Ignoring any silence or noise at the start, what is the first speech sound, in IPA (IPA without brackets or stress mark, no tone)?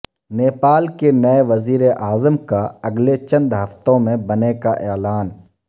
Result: n